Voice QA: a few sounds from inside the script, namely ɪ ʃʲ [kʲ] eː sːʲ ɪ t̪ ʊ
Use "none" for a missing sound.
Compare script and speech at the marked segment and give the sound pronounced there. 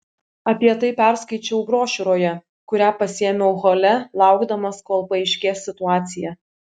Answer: kʲ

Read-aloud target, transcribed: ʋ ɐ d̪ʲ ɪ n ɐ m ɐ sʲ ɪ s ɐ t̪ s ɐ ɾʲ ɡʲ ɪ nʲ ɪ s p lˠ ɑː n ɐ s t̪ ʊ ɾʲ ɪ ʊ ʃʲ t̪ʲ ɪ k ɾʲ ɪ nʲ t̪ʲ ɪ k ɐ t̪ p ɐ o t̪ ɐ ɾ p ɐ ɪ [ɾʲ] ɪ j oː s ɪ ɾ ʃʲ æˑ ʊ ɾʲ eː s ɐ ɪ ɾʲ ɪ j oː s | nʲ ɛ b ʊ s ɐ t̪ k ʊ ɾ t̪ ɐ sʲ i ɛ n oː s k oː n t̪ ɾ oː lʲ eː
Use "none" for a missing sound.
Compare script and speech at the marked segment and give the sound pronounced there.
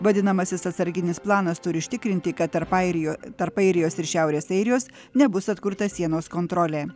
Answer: ɾʲ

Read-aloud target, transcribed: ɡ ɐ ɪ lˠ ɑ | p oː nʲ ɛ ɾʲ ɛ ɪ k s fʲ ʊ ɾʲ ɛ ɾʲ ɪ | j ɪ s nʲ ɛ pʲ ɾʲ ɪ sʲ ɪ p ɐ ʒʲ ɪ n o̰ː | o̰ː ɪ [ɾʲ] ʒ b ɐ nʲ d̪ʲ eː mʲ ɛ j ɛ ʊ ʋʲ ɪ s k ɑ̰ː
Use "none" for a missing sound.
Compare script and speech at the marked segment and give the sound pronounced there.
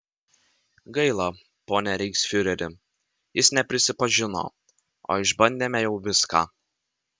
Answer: none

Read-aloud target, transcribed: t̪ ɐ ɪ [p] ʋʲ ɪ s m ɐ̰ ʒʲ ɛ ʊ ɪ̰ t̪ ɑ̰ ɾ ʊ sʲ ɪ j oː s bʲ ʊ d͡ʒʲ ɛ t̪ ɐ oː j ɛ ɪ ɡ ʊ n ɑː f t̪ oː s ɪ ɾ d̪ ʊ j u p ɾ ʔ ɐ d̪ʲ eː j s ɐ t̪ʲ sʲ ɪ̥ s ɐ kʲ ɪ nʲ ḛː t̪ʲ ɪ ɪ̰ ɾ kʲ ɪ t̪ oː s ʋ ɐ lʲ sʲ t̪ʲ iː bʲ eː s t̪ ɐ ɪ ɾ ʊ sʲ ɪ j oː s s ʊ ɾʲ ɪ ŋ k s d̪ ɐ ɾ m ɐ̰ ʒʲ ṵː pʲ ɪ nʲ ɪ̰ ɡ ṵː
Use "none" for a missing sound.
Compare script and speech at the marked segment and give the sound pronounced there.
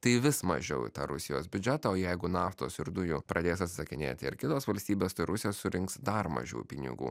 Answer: none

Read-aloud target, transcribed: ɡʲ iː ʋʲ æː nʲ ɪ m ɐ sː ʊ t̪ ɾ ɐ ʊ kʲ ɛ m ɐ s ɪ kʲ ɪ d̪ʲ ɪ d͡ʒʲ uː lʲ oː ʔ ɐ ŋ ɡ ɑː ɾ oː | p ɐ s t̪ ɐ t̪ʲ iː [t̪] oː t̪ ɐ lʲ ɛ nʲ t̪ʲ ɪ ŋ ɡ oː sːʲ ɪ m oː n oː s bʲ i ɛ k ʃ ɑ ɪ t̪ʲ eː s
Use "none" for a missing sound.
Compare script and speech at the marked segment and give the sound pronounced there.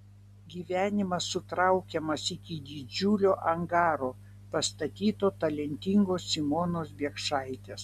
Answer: t̪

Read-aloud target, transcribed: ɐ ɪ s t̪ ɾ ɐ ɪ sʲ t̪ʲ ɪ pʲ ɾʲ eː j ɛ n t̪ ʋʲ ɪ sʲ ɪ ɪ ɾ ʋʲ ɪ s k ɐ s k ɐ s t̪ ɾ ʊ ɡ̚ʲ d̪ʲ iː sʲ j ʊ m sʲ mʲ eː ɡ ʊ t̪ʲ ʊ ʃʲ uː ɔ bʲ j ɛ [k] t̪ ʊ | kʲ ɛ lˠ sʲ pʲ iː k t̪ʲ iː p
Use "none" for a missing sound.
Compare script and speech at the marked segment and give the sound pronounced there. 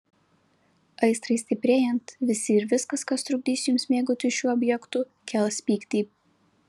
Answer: k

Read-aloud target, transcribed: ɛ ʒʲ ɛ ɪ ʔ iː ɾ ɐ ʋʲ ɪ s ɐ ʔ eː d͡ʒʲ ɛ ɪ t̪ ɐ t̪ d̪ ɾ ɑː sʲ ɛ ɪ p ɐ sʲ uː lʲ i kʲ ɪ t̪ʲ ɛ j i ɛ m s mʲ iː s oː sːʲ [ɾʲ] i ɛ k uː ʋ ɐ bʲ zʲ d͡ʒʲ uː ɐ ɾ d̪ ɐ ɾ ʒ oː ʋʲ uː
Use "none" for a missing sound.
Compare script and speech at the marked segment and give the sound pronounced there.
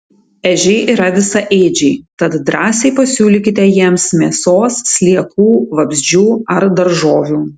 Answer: lʲ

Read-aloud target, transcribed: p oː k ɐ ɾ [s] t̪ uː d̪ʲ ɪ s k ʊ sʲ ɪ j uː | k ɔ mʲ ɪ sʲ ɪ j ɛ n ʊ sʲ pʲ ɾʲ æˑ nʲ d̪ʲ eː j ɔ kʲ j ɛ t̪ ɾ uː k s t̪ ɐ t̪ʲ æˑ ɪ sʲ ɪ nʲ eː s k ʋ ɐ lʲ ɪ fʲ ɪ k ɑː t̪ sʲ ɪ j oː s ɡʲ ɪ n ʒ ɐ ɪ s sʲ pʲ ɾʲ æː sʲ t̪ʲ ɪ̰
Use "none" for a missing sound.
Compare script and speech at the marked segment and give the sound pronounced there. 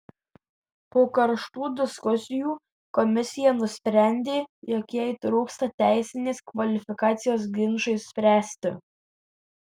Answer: ʃ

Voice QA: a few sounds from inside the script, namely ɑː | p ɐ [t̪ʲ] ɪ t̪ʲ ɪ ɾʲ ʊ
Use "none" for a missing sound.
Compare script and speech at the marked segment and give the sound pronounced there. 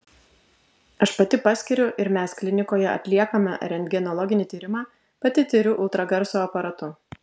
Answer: t̪ʲ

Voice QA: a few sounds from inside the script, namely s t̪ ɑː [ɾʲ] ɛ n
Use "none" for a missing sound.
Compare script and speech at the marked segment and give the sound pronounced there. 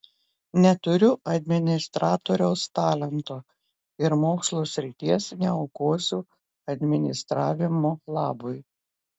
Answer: lʲ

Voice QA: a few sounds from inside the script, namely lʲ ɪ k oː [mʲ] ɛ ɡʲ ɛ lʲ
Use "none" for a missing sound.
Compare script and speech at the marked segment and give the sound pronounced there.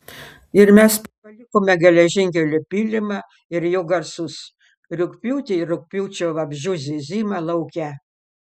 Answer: mʲ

